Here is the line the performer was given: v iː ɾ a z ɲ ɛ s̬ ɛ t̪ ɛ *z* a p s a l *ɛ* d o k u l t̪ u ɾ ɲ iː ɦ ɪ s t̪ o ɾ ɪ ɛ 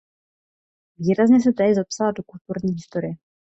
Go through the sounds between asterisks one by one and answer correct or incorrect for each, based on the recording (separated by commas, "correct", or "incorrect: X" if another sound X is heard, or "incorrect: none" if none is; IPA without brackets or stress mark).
correct, incorrect: a